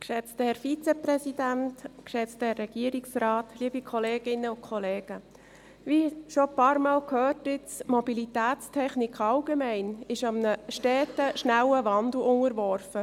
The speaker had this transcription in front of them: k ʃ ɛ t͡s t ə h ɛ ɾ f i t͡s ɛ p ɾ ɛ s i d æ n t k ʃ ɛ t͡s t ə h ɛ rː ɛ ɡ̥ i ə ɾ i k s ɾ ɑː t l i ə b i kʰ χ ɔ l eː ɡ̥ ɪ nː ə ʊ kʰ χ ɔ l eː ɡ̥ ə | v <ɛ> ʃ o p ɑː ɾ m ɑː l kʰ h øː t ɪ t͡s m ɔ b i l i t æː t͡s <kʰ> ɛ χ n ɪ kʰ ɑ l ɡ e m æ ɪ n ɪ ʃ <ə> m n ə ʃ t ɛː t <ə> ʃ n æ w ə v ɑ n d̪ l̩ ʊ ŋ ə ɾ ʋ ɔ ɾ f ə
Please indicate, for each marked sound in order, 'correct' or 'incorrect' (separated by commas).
incorrect, incorrect, incorrect, correct